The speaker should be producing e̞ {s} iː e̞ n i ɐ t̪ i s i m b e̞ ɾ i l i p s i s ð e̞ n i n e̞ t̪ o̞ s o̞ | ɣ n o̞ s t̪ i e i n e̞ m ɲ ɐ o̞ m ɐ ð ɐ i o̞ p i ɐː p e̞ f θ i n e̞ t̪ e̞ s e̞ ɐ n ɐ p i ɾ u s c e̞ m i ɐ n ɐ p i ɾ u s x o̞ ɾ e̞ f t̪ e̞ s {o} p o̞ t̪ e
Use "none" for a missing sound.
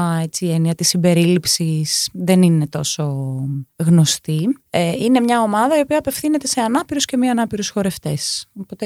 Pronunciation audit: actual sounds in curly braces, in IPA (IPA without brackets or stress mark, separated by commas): t͡s, o